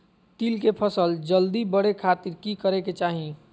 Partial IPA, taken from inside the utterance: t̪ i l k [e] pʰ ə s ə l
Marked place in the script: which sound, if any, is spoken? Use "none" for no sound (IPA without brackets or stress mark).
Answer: e